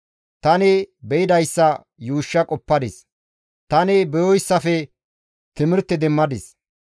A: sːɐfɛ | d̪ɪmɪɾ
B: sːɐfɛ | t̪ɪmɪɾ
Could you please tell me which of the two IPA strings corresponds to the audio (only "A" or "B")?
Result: B